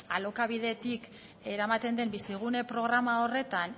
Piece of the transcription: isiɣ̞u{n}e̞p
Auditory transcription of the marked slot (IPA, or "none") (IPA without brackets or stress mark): n